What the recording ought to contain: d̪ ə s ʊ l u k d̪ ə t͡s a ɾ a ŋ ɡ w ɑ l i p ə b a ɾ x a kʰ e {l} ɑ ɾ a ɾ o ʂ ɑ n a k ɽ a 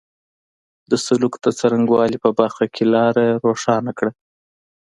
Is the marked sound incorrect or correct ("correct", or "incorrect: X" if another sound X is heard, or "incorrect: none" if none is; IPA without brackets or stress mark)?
correct